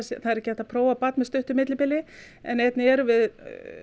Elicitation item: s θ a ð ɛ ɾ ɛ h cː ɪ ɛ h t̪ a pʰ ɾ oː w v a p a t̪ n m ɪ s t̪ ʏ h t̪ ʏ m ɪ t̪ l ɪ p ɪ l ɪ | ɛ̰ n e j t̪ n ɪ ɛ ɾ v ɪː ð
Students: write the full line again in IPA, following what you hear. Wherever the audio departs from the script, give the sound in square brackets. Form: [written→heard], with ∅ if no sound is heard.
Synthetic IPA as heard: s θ a ð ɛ ɾ ɛ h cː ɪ ɛ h t̪ a pʰ ɾ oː w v a p a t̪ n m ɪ s t̪ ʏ h t̪ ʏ m ɪ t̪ l ɪ p ɪ l ɪ | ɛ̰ n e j t̪ n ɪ ɛ ɾ v [ɪː→ɪ] ð